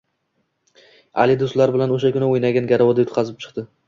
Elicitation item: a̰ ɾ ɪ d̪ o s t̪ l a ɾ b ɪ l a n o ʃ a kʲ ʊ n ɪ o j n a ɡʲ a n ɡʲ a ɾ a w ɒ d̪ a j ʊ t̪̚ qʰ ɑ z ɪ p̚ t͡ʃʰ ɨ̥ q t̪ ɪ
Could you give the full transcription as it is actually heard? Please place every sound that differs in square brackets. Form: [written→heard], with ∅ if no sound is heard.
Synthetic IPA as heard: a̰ [ɾ→l] ɪ d̪ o s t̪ l a ɾ b ɪ l a n o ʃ a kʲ ʊ n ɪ o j n a ɡʲ a n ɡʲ a ɾ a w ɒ d̪ a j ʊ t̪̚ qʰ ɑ z ɪ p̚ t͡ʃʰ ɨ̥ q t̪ ɪ